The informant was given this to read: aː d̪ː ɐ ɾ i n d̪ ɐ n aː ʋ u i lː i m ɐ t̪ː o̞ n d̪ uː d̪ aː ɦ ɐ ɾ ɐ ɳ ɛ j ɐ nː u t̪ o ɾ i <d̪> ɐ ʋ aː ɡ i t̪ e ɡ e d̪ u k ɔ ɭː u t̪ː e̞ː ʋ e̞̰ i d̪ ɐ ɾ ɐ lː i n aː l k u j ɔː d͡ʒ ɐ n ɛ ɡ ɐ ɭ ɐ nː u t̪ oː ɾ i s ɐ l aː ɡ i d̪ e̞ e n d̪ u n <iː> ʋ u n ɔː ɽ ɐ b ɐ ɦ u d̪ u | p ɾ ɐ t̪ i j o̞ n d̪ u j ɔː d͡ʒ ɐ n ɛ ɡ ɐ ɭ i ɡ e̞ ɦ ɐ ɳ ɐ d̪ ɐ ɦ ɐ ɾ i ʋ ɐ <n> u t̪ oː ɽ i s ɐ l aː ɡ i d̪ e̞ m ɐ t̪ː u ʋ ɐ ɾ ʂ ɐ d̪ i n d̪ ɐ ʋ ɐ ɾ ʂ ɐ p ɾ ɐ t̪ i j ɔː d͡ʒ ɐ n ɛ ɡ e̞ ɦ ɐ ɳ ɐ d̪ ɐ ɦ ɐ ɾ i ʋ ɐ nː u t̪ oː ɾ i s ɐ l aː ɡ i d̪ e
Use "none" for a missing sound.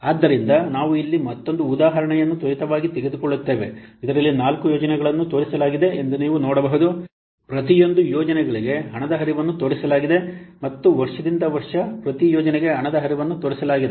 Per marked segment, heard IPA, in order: t̪, iː, nː

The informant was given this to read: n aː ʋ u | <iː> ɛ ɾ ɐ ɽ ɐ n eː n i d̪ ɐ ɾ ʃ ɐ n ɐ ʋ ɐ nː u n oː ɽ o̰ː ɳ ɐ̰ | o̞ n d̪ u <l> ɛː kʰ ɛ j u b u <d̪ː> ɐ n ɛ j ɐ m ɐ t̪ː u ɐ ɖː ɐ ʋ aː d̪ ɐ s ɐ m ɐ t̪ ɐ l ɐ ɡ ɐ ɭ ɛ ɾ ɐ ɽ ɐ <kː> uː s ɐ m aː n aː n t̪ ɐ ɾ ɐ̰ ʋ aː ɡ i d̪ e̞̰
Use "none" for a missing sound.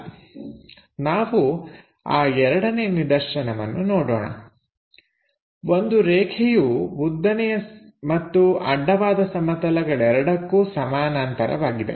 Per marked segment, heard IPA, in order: aː, ɾ, d̪ː, kː

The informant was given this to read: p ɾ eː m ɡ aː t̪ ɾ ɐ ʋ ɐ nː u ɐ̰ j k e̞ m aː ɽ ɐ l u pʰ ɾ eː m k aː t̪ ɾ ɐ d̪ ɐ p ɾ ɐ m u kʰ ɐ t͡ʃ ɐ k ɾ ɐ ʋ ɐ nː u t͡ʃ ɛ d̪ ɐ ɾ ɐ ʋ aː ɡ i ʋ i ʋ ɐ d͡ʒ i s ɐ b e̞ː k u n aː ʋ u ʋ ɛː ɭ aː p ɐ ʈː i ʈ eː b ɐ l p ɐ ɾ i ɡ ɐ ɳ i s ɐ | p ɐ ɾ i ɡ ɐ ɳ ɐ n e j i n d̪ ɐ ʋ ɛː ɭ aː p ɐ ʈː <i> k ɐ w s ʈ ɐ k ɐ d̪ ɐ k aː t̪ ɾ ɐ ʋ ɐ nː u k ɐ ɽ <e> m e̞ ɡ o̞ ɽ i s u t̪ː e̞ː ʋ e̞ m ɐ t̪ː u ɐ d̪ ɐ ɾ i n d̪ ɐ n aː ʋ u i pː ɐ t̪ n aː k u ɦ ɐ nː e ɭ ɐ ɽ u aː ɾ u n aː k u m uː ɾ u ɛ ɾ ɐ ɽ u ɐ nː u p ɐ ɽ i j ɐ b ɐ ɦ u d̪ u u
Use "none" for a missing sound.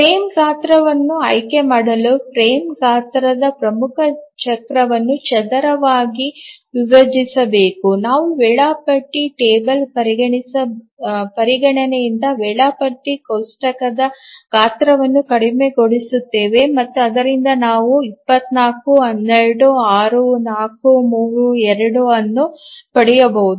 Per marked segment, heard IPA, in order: i, i

